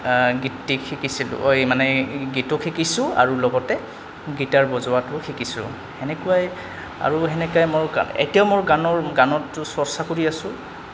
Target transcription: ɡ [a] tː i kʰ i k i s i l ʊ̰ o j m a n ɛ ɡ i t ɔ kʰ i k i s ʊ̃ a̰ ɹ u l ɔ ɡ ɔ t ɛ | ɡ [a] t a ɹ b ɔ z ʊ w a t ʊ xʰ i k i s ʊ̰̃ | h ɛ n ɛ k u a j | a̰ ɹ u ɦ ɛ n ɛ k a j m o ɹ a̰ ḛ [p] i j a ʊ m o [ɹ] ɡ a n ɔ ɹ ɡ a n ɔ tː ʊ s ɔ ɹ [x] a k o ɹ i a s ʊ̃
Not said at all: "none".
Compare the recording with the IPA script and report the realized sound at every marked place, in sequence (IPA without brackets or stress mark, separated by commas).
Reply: i, i, t, ɹ, s